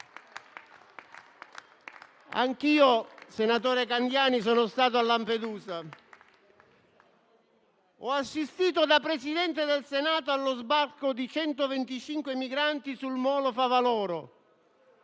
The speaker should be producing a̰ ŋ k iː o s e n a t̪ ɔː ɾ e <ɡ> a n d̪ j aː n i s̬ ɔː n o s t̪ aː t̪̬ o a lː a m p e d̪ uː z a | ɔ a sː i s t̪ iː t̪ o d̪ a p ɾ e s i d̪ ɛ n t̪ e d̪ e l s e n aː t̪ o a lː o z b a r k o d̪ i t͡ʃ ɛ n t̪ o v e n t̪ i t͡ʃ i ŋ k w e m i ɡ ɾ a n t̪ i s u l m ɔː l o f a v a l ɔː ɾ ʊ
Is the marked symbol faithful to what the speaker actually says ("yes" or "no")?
no